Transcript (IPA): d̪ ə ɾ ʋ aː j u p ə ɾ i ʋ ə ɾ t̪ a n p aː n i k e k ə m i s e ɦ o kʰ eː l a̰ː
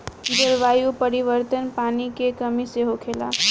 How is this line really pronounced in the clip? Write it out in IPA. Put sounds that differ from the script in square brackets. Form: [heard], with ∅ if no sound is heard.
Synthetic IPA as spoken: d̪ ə ɾ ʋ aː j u p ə ɾ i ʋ ə ɾ t̪ [ə] n p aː n i k e k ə m i s e ɦ o kʰ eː l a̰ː